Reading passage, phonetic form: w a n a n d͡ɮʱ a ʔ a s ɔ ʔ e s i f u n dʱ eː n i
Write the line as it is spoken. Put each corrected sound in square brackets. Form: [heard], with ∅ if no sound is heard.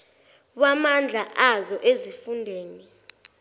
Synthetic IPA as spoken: w a [m] a n d͡ɮʱ a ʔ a [z] ɔ ʔ e [z] i f u n dʱ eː n i

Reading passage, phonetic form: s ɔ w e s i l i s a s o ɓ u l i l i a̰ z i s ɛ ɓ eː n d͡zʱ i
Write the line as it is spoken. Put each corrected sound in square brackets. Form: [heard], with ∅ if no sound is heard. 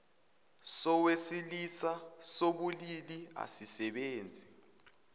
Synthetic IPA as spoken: s ɔ w e s i l i s a s o ɓ u l i l i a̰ [s] i s ɛ ɓ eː n d͡zʱ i

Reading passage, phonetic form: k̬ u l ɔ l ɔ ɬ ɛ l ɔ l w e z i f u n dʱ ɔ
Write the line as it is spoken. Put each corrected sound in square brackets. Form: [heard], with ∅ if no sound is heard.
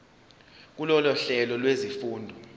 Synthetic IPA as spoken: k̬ u l ɔ l ɔ ɬ ɛ l ɔ l w e z i f [uː] n dʱ ɔ

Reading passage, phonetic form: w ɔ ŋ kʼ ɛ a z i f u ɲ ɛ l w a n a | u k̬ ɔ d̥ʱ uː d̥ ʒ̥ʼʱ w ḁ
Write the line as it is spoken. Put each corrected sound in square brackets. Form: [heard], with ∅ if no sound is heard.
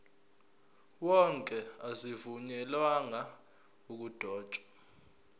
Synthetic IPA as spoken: w ɔ ŋ kʼ ɛ a z i [v] u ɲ ɛ l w a [ŋ] a | u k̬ [u] d̥ʱ [ɔː] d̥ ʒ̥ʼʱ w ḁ

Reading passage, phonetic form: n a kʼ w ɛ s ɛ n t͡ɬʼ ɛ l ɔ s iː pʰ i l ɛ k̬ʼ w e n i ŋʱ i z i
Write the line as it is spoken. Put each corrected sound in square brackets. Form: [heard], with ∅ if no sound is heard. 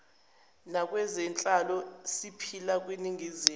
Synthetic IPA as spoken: n a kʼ w ɛ [z] ɛ n t͡ɬʼ [a] l ɔ s [i] pʰ i l [a] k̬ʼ w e n i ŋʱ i z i

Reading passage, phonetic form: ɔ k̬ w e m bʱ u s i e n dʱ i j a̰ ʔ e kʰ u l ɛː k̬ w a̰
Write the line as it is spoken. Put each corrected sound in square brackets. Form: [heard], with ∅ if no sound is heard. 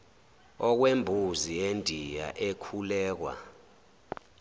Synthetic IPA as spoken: ɔ k̬ w e m bʱ u [z] i e n dʱ i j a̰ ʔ e kʰ u l ɛː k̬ w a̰

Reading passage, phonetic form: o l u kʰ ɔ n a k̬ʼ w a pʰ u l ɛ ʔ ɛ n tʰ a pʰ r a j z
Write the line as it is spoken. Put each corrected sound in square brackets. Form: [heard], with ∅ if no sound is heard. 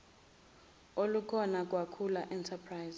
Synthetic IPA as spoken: o l u kʰ ɔ n a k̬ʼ w a [kʰ] u l [a] ʔ ɛ n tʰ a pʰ r a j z

